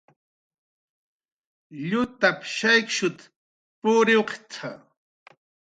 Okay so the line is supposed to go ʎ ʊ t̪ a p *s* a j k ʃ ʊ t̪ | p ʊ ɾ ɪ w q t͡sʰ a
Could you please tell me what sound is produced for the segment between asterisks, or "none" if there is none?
ʃ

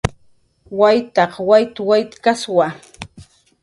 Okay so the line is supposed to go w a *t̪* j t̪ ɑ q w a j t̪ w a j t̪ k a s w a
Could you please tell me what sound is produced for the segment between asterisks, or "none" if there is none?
none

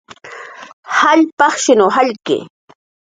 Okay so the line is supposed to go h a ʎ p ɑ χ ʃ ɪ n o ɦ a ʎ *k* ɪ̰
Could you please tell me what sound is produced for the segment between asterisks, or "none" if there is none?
k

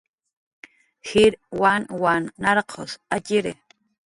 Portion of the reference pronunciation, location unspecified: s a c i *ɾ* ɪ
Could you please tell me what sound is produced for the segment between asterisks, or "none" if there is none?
ɾ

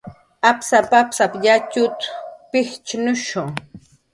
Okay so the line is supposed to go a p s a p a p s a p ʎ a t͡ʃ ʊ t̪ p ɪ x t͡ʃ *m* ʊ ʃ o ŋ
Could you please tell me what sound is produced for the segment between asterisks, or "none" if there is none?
n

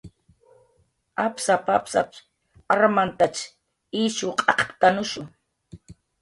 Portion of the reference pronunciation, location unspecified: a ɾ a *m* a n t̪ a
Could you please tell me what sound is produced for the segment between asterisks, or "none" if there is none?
m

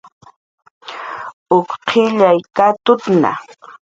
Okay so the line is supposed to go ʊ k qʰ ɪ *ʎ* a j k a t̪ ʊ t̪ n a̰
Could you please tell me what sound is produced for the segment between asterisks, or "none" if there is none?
ʎ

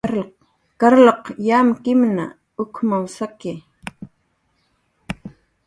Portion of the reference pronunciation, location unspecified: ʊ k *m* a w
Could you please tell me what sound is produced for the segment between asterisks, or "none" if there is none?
m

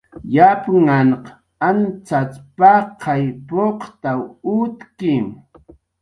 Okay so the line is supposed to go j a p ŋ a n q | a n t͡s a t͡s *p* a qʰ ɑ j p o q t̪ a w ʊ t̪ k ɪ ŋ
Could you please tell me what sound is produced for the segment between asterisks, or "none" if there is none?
p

